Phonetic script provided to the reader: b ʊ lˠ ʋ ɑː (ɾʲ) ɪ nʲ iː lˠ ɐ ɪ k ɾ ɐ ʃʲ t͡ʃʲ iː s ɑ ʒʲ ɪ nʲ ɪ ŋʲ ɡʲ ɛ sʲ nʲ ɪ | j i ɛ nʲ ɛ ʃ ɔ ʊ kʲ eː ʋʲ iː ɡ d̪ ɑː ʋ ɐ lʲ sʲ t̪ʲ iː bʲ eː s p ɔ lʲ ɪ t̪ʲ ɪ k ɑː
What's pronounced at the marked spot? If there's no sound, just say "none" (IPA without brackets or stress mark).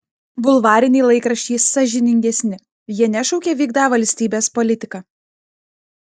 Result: ɾʲ